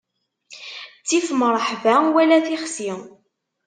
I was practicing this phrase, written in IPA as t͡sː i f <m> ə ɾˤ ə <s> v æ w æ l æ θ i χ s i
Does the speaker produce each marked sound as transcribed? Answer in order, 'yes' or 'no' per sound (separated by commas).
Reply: yes, no